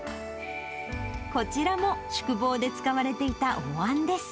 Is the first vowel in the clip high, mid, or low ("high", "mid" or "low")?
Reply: mid